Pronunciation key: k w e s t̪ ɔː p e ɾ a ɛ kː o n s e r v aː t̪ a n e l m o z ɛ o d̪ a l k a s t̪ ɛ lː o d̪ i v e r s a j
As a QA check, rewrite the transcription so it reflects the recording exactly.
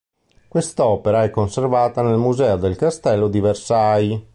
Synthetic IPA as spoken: k w e s t̪ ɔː p e ɾ a ɛ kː o n s e r v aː t̪ a n e l m u z ɛ o d̪ e l k a s t̪ ɛ lː o d̪ i v e r s a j